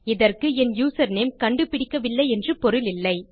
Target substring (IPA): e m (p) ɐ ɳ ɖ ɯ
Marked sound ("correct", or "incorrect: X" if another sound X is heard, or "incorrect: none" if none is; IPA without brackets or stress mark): incorrect: k